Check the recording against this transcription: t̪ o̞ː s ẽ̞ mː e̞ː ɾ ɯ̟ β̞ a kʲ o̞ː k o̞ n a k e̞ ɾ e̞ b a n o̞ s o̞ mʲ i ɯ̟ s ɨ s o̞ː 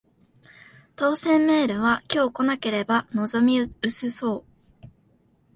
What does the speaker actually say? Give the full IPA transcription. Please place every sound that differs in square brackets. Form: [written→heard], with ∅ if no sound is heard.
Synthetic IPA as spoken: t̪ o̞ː s ẽ̞ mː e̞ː ɾ ɯ̟ β̞ a kʲ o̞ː k o̞ n a k e̞ ɾ e̞ b a n o̞ [s→z] o̞ mʲ i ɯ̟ s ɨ s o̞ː